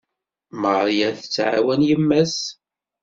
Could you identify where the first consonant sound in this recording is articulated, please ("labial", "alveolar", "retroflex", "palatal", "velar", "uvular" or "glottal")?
labial